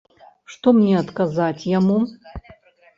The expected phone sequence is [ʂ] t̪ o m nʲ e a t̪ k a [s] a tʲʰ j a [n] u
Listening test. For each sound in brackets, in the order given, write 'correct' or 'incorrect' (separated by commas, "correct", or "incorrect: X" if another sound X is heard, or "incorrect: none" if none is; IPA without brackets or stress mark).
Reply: correct, incorrect: z, incorrect: m